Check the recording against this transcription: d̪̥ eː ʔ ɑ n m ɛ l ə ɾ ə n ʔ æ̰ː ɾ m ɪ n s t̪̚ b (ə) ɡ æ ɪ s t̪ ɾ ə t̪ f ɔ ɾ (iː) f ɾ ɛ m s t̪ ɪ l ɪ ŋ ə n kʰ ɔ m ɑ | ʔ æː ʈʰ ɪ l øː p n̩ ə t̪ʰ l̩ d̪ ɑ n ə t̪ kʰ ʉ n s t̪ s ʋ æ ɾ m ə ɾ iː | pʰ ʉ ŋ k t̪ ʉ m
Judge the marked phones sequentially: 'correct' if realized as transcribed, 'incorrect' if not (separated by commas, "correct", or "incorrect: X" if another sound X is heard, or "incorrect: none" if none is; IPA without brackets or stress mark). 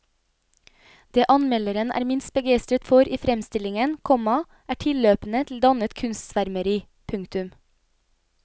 correct, correct